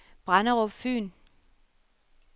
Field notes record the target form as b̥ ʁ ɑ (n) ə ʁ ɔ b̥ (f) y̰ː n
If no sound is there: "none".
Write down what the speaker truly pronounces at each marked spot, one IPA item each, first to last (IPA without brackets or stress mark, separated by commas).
n, f